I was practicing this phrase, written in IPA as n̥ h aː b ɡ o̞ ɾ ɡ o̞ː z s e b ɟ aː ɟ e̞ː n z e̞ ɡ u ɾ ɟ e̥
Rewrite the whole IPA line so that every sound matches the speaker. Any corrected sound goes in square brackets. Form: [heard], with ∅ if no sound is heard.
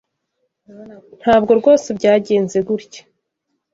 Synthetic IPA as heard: n̥ h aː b ɡ o̞ ɾ ɡ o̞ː [∅] s e b ɟ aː ɟ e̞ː n z e̞ ɡ u ɾ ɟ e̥

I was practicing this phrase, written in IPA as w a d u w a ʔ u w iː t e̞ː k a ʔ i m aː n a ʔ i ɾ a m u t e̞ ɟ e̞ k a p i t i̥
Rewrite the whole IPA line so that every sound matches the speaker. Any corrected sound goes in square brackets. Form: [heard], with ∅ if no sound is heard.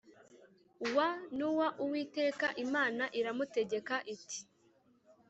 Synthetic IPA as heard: w a [n] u w a ʔ u w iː t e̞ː k a ʔ i m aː n a ʔ i ɾ a m u t e̞ ɟ e̞ k a [ʔ] i t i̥

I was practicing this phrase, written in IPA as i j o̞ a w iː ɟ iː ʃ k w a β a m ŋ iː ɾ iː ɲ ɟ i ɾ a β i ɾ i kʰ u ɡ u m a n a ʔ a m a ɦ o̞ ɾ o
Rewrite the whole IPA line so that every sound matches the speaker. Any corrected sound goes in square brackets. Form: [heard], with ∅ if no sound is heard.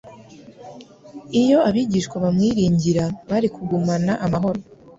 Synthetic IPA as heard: i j o̞ a [β] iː ɟ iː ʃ k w a β a m ŋ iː ɾ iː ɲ ɟ i ɾ a β [a] ɾ i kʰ u ɡ u m a n a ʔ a m a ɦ o̞ ɾ o

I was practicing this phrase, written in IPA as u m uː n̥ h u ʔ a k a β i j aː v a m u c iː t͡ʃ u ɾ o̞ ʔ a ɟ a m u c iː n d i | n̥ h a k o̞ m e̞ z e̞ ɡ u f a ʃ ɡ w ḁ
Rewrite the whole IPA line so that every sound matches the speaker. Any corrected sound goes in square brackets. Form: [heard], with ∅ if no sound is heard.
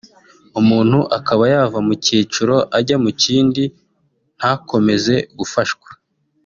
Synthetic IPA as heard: u m uː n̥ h u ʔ a k a β [a] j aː v a m u c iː t͡ʃ u ɾ o̞ ʔ a ɟ a m u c iː n d i | n̥ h a k o̞ m e̞ z e̞ ɡ u f a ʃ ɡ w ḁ

